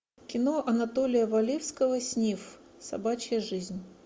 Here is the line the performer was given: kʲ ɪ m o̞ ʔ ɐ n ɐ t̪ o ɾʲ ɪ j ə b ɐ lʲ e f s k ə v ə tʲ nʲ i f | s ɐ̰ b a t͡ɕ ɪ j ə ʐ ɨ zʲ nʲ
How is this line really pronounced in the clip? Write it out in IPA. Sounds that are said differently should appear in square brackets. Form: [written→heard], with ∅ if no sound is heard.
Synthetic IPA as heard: kʲ ɪ [m→n] o̞ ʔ ɐ n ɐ t̪ o [ɾʲ→lʲ] ɪ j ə [b→v] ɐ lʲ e f s k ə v ə [tʲ→sʲ] nʲ i f | s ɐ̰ b a t͡ɕ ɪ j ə ʐ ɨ zʲ nʲ

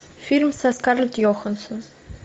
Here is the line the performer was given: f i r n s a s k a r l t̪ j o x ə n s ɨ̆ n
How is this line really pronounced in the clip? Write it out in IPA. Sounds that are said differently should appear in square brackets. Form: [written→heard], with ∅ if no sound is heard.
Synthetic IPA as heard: f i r [n→m] s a s k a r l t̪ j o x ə n s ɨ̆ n

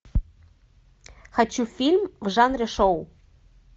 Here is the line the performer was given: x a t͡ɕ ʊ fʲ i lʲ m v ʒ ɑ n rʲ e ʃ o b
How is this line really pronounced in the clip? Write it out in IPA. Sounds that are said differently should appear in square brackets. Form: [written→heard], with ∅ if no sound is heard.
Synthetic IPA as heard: x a t͡ɕ [ʊ→u] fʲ i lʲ m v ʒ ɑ n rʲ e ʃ o [b→w]

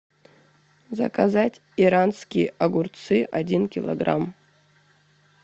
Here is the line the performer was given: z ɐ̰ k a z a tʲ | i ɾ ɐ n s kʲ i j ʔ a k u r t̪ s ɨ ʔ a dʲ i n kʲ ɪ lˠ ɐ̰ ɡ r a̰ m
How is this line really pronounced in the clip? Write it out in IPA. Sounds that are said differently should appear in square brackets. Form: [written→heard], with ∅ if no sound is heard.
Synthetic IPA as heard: z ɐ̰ k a z a tʲ | i ɾ [ɐ→a] n s kʲ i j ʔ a [k→ɡ] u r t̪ s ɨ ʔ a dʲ i n kʲ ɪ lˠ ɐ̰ ɡ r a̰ m

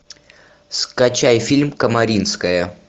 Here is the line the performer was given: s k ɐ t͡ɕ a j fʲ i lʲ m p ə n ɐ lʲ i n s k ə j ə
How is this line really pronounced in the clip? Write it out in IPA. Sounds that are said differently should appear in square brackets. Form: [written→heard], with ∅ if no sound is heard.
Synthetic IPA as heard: s k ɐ t͡ɕ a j fʲ i lʲ m [p→k] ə [n→m] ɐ [lʲ→ɾʲ] i n s k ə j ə

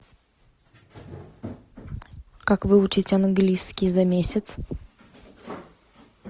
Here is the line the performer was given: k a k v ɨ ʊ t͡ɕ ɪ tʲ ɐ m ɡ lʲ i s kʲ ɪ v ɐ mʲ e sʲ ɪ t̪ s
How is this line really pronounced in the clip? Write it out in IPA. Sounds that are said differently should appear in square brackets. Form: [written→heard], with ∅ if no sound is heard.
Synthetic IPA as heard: k a k v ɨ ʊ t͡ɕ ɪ tʲ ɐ [m→n] ɡ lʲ i s kʲ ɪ [v→z] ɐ mʲ e sʲ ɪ t̪ s

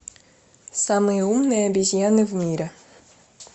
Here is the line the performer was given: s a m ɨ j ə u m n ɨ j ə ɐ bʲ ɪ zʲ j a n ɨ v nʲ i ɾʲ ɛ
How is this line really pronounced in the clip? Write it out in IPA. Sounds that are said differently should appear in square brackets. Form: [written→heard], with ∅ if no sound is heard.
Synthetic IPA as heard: s a m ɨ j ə u m n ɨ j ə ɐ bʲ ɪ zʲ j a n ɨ v [nʲ→mʲ] i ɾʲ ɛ

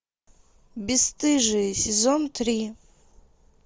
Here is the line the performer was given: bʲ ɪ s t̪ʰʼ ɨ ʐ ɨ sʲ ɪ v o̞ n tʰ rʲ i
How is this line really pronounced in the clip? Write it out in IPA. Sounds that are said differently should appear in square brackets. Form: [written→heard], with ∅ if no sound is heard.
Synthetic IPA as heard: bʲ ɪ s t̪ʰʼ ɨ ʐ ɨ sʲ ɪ [v→z] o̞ n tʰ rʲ i

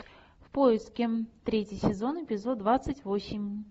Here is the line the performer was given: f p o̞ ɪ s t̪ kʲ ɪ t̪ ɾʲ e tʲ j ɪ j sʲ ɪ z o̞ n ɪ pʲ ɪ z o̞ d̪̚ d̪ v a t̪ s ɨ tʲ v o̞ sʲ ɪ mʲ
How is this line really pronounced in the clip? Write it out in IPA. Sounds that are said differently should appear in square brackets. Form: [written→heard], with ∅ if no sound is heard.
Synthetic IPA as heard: f p o̞ ɪ s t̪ kʲ ɪ t̪ ɾʲ e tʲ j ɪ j sʲ ɪ z o̞ n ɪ pʲ ɪ z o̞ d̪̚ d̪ v a t̪ s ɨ tʲ v o̞ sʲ ɪ mʲ

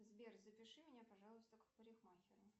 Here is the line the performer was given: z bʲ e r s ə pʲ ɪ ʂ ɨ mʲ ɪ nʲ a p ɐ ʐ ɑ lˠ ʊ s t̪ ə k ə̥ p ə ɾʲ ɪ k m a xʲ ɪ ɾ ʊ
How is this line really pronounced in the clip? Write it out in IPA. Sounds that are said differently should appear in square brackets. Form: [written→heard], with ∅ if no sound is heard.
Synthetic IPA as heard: z bʲ e r [s→z] ə pʲ ɪ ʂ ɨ mʲ ɪ nʲ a p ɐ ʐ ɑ lˠ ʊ s t̪ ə k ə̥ p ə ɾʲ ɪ [k→x] m a xʲ ɪ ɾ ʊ

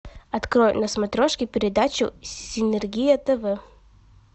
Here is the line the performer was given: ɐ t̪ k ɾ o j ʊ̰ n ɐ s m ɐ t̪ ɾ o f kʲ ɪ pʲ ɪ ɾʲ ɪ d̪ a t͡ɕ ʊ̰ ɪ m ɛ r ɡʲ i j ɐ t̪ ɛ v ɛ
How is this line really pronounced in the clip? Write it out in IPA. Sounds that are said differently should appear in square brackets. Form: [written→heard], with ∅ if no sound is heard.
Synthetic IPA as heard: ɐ t̪ k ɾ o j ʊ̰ n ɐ s m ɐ t̪ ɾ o [f→ʂ] kʲ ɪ pʲ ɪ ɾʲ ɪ d̪ a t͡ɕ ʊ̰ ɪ [m→n] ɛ r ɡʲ i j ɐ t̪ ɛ v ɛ

